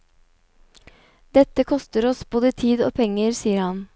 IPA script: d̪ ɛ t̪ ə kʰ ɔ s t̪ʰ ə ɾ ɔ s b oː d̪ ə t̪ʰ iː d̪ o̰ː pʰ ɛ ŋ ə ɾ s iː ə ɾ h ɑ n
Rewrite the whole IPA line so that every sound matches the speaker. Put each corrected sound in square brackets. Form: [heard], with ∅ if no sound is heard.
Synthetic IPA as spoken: d̪ ɛ t̪ ə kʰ ɔ s [t̪] ə ɾ ɔ s b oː d̪ ə t̪ʰ iː d̪ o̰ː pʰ ɛ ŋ ə ɾ s iː ə ɾ h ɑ n